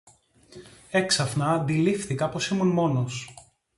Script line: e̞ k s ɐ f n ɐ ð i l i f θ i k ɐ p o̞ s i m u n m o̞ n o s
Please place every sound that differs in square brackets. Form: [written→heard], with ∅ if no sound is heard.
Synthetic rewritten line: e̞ k s ɐ f n ɐ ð i l i f θ i k ɐ p o̞ s i m u n m o̞ n o s